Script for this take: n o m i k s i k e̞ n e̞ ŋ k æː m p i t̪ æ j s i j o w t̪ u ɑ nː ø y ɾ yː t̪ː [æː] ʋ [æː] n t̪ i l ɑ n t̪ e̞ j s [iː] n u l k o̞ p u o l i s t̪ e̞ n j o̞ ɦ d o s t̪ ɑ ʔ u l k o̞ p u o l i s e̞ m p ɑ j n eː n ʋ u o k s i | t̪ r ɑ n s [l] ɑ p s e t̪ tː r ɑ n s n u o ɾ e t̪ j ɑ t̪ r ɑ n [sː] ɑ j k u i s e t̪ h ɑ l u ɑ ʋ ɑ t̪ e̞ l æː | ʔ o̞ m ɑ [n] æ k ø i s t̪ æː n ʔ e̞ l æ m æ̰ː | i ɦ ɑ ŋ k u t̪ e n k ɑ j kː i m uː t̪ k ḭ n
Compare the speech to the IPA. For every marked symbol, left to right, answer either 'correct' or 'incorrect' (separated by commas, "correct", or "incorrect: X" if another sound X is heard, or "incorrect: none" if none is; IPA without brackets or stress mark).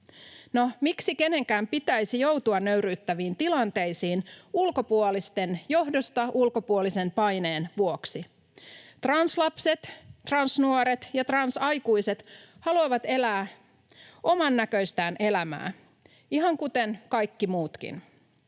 incorrect: æ, incorrect: iː, correct, correct, incorrect: s, incorrect: nː